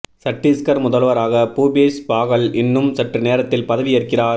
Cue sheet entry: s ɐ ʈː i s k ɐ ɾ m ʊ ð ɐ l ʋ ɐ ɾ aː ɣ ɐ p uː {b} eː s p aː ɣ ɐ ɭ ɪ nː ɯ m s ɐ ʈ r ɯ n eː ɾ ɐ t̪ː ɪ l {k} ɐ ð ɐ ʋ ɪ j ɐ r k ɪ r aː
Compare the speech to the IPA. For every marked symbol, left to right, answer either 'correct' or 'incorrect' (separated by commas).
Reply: correct, incorrect